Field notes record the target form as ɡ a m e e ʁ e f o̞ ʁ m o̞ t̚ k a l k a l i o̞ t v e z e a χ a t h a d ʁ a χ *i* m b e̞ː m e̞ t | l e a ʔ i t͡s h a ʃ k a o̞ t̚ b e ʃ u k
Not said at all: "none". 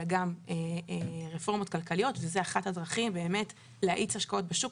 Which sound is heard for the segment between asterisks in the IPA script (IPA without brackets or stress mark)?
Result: i